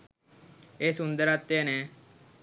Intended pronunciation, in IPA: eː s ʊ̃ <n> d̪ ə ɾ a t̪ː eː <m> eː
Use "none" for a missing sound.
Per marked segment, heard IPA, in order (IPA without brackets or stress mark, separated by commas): n, n